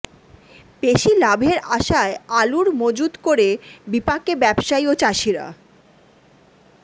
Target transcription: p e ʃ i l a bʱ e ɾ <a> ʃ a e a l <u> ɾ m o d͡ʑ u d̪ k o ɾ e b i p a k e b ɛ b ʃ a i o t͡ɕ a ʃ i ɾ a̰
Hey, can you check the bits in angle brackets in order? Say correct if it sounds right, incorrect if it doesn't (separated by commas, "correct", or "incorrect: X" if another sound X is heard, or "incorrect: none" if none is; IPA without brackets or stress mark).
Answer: correct, correct